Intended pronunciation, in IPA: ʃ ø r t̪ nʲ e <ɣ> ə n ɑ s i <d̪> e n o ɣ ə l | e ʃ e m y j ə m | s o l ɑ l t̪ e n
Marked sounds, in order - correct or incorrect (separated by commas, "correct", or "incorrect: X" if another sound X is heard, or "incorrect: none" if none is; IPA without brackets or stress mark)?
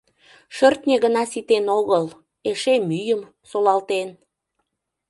correct, incorrect: t̪